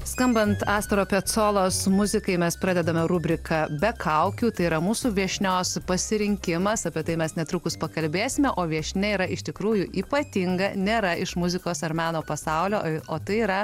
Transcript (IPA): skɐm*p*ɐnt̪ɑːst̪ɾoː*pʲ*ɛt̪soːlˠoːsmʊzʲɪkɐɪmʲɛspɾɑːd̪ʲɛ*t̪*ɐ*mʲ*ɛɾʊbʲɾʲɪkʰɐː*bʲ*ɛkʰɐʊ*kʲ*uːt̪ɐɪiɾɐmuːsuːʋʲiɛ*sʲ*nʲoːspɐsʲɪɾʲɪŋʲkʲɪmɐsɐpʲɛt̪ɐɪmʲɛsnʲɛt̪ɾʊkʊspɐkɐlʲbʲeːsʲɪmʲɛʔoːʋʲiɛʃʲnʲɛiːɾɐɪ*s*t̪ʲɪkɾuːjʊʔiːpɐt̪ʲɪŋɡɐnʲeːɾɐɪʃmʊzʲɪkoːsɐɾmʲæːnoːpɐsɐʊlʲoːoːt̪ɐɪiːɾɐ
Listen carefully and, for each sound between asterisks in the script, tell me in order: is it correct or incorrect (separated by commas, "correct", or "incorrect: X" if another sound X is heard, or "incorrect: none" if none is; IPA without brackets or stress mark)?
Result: incorrect: b, correct, incorrect: d̪, correct, correct, correct, incorrect: ʃʲ, incorrect: ʃ